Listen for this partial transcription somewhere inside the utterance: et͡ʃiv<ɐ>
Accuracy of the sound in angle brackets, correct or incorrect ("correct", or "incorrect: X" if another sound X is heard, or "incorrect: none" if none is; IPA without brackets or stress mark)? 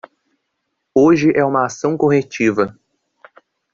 correct